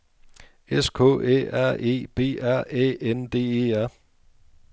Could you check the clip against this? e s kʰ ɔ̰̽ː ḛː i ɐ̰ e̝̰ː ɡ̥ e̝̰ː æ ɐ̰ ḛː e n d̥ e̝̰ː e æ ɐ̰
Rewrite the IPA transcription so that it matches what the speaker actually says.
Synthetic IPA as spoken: e s kʰ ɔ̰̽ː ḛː æ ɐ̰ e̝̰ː b̥ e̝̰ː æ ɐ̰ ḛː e n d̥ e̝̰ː e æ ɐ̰